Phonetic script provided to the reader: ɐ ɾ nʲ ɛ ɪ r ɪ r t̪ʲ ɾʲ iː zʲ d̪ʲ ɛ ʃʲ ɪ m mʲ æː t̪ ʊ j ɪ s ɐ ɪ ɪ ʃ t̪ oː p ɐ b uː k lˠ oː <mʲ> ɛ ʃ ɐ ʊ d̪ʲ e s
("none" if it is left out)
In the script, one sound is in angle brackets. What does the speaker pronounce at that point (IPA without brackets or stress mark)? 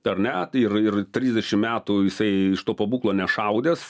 nʲ